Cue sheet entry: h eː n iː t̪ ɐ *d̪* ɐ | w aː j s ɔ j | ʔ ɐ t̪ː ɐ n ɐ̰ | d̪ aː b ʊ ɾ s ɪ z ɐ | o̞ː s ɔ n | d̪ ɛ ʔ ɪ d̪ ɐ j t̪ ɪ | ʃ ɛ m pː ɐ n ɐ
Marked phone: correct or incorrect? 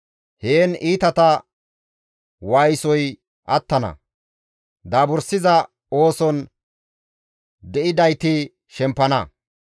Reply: incorrect